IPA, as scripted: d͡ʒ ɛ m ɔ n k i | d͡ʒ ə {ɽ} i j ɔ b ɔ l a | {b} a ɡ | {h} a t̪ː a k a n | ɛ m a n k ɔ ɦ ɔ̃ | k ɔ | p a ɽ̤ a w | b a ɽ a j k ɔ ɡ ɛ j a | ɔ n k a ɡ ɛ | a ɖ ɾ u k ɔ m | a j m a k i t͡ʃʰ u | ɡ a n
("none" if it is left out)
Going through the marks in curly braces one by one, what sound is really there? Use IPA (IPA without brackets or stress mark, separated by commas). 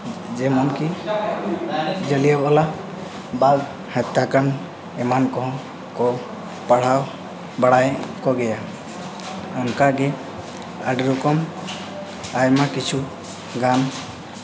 l, b, h